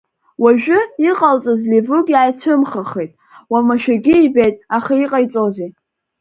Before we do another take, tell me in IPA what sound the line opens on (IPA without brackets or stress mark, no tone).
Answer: w